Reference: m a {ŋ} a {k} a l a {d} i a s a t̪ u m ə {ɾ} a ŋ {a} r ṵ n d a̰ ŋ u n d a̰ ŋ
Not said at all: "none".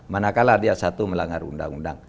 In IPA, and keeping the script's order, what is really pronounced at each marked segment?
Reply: n, k, d, l, a

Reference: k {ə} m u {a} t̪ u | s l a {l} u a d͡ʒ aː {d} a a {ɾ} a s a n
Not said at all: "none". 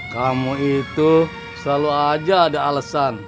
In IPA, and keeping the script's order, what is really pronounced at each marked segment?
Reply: a, i, l, d, l

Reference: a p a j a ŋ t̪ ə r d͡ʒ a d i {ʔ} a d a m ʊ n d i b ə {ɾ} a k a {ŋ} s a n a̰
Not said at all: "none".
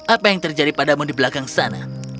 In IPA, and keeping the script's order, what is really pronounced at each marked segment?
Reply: p, l, ŋ

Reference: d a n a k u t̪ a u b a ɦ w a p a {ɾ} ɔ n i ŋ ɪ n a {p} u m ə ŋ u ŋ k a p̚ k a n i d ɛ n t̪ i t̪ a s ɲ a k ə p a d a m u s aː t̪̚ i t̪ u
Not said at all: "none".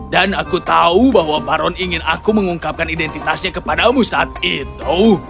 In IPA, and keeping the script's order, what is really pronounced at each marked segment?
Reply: ɾ, k

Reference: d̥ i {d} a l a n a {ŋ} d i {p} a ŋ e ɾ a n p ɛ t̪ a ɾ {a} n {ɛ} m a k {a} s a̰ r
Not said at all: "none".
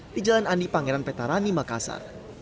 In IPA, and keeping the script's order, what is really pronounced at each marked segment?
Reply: d͡ʒ, n, p, a, i, a

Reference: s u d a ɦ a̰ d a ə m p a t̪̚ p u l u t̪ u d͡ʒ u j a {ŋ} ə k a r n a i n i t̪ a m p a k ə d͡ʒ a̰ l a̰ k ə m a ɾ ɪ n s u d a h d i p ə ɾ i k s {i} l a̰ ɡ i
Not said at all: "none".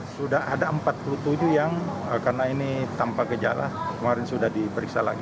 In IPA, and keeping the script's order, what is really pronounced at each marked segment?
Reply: ŋ, a

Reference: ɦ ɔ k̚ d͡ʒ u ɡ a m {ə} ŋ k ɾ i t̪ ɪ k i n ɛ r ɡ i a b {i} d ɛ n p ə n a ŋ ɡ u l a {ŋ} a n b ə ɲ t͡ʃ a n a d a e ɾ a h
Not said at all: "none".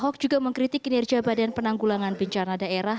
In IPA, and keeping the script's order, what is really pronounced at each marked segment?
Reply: ə, a, ŋ

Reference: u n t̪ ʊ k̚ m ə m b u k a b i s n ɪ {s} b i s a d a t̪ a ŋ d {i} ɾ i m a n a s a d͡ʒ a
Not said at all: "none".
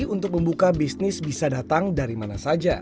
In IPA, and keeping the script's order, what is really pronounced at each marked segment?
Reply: s, a

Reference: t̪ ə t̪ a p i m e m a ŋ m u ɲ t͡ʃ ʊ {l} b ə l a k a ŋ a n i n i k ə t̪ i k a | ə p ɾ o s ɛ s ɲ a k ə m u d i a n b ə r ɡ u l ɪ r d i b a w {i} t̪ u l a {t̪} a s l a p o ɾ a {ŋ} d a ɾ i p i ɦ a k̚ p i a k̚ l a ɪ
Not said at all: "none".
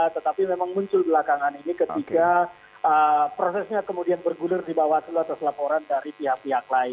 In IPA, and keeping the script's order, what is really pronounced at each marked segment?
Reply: l, a, t̪, n

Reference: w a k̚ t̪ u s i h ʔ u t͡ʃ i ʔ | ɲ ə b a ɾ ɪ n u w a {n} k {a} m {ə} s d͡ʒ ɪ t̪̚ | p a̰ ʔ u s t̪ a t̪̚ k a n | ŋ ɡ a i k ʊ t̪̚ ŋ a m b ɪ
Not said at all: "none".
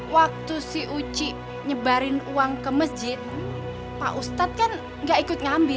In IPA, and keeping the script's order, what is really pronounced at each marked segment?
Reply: ŋ, ə, ə

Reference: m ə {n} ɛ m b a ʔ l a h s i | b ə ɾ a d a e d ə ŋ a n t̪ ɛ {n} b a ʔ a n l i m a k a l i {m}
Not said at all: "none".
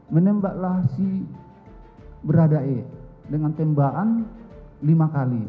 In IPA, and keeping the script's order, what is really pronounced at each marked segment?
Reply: n, m, none

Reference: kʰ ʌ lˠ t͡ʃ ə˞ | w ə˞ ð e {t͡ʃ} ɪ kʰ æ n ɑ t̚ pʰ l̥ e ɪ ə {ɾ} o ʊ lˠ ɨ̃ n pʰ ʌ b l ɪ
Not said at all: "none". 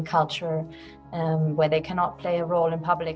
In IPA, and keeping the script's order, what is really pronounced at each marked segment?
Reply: none, ɹ

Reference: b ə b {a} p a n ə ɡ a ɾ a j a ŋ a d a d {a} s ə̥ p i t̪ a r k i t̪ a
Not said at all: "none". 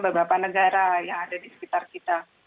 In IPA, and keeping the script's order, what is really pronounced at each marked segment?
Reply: a, i

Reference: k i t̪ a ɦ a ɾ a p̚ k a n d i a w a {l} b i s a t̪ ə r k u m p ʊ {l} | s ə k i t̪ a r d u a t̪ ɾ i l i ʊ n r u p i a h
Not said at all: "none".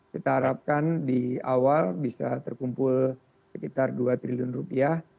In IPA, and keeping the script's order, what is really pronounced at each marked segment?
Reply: l, l

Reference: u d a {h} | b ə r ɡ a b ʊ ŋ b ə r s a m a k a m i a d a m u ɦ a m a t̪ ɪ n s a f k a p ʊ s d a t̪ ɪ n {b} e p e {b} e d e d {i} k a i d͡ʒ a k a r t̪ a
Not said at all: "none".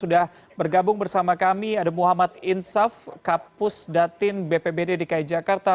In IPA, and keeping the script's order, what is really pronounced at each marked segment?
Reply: h, b, b, i

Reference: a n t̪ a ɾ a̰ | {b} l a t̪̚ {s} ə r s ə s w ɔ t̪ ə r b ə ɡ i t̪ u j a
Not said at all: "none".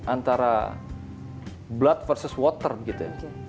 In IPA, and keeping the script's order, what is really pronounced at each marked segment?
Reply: b, f

